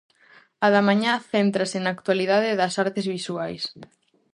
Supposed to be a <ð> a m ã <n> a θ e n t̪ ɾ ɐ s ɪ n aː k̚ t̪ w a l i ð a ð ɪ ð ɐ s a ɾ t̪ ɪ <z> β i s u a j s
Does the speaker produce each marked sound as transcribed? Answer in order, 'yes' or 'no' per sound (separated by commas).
yes, no, yes